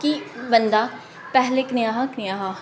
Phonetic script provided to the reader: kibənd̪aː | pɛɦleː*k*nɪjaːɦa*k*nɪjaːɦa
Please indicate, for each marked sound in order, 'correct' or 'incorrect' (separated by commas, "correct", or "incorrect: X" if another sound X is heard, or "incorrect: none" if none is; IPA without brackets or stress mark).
correct, correct